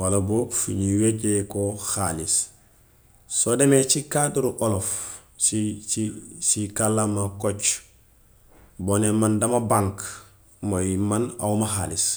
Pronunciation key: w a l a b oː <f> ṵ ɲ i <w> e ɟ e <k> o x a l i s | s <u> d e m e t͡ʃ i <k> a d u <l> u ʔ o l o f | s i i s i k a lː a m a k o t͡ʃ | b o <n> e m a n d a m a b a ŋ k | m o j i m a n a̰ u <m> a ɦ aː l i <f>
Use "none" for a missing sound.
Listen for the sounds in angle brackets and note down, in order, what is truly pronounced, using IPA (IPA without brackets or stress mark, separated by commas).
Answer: f, w, k, o, k, ɾ, n, m, s